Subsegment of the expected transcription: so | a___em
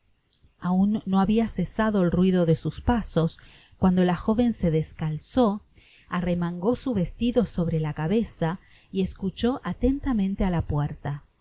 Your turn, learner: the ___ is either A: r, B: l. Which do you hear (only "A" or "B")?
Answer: A